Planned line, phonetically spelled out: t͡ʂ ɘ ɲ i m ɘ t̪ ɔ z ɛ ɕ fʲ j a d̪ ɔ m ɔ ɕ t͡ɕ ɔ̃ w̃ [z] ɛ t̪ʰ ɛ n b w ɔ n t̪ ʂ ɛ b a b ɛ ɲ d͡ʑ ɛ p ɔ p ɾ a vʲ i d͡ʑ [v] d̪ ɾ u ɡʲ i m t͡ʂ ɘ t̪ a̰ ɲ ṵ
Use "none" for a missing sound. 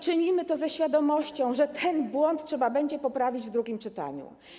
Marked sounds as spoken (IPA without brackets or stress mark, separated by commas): ʐ, v